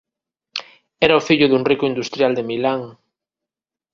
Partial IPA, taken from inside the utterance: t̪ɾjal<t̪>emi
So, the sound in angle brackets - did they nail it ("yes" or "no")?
no